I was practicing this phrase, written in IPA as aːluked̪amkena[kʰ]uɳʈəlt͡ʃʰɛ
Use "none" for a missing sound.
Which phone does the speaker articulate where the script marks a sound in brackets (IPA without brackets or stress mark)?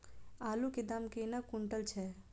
k